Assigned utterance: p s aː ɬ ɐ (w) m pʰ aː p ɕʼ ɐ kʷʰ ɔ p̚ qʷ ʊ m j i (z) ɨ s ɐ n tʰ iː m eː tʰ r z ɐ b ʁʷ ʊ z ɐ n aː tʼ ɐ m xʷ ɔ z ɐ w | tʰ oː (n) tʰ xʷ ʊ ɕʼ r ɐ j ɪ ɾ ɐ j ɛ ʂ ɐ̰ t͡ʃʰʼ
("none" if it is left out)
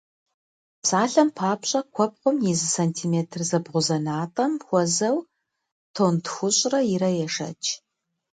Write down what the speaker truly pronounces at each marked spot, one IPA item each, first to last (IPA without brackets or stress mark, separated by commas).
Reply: none, z, n